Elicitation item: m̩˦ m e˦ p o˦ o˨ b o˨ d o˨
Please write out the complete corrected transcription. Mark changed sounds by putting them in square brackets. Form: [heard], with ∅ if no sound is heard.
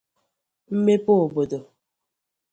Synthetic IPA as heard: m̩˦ m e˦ p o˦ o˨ b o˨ d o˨

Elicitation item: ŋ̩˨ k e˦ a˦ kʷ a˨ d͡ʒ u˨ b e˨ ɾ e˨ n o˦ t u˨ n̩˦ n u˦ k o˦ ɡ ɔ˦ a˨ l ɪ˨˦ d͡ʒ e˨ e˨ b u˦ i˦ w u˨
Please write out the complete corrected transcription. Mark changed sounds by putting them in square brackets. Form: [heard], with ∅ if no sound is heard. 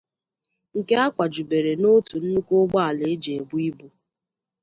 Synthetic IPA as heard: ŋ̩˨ k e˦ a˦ kʷ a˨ d͡ʒ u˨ b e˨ ɾ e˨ n o˦ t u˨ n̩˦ n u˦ k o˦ [ɡ͡b] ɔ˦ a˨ l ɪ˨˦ d͡ʒ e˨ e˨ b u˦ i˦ [b] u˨

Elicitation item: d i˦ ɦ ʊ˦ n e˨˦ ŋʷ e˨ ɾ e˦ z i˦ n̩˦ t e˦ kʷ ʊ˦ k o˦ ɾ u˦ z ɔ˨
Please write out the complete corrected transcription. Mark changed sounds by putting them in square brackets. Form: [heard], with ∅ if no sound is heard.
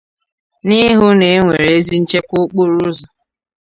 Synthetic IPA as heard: [n] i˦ ɦ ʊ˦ n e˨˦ ŋʷ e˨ ɾ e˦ z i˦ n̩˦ [t͡ʃ] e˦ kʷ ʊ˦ [k͡p] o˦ ɾ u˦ z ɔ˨

